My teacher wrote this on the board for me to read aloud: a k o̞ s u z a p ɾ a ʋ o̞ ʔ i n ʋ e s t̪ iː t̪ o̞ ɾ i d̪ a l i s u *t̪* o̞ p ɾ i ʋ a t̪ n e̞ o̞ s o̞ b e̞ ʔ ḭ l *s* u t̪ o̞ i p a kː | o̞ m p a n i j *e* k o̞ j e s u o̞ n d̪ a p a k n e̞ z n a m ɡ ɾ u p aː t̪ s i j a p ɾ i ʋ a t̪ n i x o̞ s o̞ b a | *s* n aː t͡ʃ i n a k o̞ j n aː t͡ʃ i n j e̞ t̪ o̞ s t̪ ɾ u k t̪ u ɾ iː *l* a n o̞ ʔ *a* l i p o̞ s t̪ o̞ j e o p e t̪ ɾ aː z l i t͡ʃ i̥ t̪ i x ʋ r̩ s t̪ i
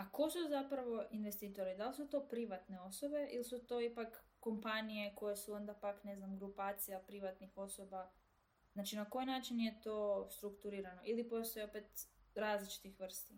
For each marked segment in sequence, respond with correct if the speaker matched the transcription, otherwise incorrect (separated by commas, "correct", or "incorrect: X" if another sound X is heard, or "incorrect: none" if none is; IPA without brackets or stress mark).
correct, correct, correct, incorrect: z, incorrect: ɾ, incorrect: i